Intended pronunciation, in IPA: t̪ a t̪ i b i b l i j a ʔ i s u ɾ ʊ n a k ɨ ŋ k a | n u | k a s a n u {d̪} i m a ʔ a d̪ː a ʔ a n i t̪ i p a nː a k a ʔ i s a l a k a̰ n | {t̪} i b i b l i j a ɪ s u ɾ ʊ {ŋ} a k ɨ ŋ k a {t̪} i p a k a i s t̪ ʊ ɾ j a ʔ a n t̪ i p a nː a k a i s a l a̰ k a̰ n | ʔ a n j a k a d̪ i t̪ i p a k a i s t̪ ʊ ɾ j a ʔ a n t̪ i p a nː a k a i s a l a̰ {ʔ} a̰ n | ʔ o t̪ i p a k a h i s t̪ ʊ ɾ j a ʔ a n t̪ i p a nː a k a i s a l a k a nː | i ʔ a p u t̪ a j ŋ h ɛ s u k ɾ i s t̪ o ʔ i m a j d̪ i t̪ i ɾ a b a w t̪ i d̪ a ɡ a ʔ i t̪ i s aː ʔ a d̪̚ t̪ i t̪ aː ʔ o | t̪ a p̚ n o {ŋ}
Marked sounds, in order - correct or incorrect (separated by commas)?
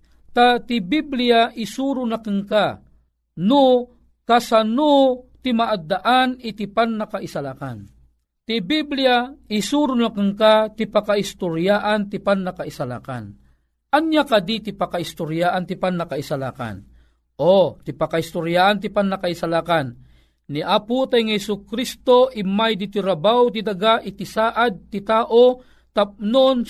incorrect, correct, incorrect, correct, incorrect, incorrect